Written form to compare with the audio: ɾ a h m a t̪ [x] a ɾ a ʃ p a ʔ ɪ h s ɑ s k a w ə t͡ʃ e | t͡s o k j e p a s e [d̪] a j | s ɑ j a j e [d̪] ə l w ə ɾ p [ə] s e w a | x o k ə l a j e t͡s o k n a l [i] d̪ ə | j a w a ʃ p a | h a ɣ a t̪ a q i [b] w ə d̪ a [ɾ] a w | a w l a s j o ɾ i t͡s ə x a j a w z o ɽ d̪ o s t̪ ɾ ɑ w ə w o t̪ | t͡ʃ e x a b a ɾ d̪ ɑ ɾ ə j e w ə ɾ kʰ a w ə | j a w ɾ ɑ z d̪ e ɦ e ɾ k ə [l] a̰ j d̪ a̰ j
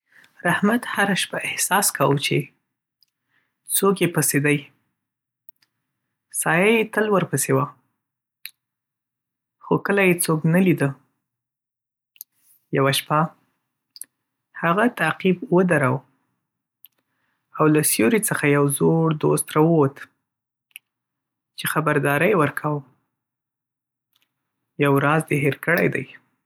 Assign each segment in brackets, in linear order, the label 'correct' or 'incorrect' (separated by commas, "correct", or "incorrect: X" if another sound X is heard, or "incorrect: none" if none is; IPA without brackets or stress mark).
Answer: incorrect: h, correct, incorrect: t̪, correct, correct, correct, correct, incorrect: ɽ